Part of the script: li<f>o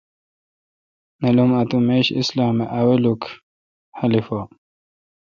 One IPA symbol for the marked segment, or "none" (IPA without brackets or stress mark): f